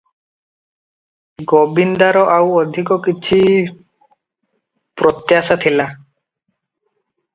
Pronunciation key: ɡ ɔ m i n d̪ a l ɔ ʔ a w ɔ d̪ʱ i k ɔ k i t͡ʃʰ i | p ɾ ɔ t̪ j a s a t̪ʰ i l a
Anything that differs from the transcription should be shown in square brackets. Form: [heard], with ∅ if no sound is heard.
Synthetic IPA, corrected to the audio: ɡ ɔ [b] i n d̪ a [ɾ] ɔ ʔ a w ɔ d̪ʱ i k ɔ k i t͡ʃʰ i | p ɾ ɔ t̪ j a s a t̪ʰ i l a